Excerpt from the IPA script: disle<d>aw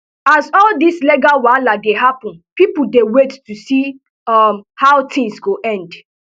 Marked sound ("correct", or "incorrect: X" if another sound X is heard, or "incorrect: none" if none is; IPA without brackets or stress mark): incorrect: ɡ